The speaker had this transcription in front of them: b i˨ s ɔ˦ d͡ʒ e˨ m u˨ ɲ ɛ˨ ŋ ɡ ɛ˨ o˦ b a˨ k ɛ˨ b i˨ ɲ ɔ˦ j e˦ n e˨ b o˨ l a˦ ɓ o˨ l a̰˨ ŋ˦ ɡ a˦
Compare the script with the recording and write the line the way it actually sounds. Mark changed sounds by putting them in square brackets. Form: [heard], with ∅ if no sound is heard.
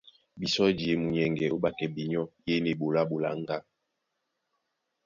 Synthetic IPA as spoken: b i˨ s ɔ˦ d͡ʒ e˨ m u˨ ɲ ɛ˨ ŋ ɡ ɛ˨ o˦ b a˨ k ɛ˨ b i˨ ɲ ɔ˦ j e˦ n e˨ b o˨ l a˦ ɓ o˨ l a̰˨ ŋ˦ ɡ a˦